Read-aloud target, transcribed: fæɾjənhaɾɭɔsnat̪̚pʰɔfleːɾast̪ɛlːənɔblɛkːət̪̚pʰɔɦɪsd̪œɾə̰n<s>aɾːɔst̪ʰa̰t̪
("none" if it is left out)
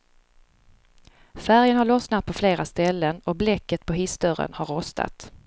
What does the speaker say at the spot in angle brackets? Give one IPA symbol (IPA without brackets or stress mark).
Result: h